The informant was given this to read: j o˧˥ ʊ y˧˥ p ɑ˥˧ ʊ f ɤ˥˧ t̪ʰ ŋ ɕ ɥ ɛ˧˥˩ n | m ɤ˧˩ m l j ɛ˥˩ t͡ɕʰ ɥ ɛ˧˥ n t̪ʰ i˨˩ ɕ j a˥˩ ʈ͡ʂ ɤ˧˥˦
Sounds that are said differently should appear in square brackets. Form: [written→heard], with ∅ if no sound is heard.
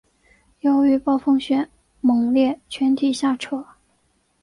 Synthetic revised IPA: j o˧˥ ʊ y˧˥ p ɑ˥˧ ʊ f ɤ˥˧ [t̪ʰ→∅] ŋ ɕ ɥ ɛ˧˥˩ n | m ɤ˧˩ [m→ŋ] l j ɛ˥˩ t͡ɕʰ ɥ ɛ˧˥ n t̪ʰ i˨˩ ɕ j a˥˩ [ʈ͡ʂ→ʈ͡ʂʰ] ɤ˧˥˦